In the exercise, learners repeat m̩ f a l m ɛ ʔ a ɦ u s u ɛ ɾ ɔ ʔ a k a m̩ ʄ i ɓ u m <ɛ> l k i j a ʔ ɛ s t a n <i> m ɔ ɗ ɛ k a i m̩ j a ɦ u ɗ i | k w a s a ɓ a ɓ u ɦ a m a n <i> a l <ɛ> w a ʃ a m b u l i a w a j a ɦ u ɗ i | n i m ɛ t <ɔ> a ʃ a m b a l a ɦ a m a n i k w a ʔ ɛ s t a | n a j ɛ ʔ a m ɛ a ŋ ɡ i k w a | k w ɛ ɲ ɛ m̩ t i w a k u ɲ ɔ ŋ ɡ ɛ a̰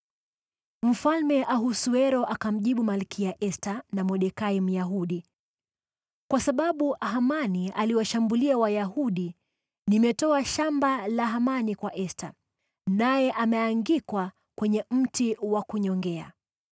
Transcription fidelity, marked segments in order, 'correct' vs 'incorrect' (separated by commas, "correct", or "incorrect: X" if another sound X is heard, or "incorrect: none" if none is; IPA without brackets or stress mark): incorrect: a, incorrect: a, correct, incorrect: i, correct